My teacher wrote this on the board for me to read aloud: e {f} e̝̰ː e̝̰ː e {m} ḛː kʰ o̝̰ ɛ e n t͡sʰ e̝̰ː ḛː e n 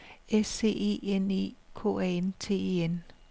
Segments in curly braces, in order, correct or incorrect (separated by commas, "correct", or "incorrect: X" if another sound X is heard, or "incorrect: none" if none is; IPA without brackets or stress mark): incorrect: s, incorrect: n